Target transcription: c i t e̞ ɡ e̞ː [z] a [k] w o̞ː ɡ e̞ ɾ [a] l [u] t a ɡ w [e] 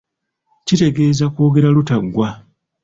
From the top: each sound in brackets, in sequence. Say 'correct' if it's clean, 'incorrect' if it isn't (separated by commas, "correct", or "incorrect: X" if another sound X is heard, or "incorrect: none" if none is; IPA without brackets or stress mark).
correct, correct, correct, correct, incorrect: a